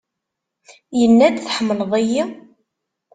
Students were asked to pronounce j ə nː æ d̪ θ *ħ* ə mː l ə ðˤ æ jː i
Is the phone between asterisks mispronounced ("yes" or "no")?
no